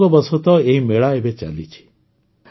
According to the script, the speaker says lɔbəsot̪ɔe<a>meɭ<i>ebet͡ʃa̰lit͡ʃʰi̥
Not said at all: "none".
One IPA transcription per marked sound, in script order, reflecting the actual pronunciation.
i, a

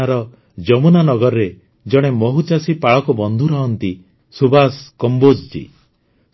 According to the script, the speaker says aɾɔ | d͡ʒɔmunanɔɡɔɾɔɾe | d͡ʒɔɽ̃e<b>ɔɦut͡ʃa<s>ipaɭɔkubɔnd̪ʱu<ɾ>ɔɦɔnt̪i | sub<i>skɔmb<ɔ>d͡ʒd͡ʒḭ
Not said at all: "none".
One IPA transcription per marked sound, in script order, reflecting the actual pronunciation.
m, s, ɾ, a, o

